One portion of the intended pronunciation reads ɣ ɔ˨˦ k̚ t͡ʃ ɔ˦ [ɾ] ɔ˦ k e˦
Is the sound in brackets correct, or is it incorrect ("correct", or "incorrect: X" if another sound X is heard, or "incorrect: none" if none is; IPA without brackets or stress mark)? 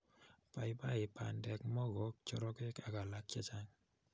correct